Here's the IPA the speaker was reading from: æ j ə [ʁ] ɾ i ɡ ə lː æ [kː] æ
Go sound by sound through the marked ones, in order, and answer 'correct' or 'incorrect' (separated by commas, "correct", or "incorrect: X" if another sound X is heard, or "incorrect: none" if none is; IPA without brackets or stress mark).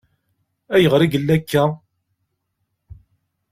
correct, correct